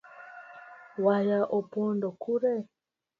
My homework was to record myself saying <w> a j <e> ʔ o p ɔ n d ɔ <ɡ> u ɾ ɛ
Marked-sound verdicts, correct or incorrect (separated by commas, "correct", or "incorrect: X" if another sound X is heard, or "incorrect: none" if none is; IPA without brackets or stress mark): correct, incorrect: a, incorrect: k